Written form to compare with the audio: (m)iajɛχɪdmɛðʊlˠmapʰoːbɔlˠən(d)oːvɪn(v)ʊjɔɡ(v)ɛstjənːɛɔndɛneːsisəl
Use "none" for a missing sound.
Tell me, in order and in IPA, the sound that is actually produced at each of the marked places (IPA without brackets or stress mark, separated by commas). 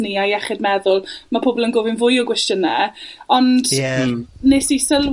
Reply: n, ɡ, v, w